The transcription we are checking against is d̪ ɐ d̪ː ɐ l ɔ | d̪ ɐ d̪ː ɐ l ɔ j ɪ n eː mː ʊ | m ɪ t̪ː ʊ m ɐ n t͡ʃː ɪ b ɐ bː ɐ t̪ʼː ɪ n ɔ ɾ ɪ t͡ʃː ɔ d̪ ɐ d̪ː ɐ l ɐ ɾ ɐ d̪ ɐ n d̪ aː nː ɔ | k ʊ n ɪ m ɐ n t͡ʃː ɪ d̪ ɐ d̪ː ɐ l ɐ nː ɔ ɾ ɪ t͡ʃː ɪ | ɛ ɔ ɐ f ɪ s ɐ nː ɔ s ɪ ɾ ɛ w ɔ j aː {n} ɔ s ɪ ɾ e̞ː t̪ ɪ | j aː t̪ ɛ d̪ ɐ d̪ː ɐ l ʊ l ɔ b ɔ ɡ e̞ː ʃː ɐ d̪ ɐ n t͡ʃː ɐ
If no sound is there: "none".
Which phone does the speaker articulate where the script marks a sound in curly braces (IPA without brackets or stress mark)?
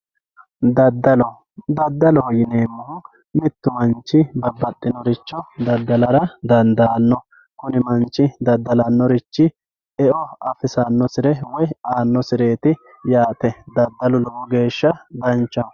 nː